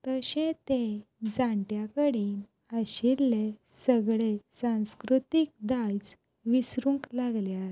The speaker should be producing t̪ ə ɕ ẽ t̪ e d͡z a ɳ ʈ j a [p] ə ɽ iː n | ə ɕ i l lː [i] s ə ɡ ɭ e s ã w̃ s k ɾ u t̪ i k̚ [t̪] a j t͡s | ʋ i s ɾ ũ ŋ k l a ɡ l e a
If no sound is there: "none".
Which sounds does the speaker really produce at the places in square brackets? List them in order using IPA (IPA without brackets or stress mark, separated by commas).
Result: k, e, d̪